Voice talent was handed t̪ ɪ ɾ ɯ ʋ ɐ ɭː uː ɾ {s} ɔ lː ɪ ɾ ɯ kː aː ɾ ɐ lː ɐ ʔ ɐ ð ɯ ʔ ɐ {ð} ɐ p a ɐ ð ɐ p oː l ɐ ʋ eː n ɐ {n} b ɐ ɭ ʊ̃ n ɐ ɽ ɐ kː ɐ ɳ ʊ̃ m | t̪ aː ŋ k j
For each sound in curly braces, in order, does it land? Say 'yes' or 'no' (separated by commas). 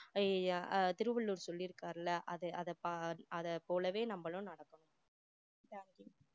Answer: yes, yes, no